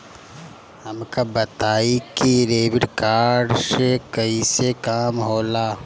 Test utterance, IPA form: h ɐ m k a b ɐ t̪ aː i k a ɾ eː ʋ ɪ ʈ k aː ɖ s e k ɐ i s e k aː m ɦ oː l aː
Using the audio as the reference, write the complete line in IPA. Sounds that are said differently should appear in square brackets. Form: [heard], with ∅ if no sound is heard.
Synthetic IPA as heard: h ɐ m k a b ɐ t̪ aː i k [i] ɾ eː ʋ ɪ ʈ k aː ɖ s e k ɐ i s e k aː m ɦ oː l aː